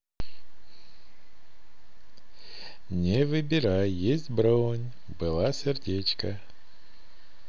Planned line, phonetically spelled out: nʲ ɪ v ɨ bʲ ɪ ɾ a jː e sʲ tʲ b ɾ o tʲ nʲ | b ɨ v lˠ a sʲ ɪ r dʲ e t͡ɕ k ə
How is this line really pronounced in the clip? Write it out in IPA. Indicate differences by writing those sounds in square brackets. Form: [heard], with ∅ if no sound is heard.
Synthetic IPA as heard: nʲ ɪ v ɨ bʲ ɪ ɾ a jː e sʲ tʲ b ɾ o [∅] nʲ | b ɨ [∅] lˠ a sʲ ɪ r dʲ e t͡ɕ k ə